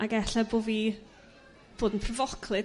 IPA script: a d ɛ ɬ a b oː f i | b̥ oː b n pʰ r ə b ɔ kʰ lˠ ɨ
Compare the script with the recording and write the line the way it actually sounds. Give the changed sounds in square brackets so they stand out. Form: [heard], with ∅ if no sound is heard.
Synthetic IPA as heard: a [ɡ] ɛ ɬ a b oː [v] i | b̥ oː [d] n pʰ r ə [v] ɔ kʰ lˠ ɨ